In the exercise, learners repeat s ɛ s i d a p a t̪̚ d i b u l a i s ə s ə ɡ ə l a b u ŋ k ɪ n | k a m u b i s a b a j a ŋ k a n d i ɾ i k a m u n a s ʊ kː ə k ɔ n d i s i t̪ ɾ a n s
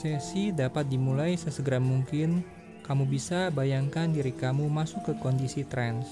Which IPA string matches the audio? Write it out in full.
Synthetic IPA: s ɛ s i d a p a t̪̚ d i m u l a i s ə s ə ɡ ə ɾ a m u ŋ k ɪ n | k a m u b i s a b a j a ŋ k a n d i ɾ i k a m u m a s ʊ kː ə k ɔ n d i s i t̪ ɾ ɛ n s